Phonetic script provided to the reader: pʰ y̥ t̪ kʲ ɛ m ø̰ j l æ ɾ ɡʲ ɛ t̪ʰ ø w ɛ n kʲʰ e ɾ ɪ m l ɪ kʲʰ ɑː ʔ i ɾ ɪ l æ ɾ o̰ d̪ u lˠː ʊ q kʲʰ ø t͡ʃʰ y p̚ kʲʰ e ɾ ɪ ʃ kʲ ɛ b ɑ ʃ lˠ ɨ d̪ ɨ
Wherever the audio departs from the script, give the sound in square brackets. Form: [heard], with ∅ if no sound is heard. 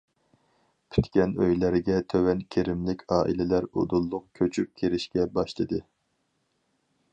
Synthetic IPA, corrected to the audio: pʰ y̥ t̪ kʲ ɛ [n] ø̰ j l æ ɾ ɡʲ ɛ t̪ʰ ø w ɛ n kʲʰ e ɾ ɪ m l ɪ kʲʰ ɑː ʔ i [l] ɪ l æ ɾ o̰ d̪ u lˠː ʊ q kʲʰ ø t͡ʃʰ y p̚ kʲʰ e ɾ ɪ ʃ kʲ ɛ b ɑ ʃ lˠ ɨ d̪ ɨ